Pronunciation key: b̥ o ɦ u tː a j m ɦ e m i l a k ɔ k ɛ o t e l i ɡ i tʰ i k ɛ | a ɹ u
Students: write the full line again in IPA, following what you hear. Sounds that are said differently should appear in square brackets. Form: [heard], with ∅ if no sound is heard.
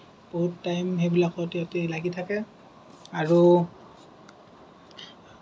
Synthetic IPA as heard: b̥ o ɦ u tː a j m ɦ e [b] i l a k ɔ [t] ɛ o t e l [a] ɡ i tʰ [a] k ɛ | a ɹ u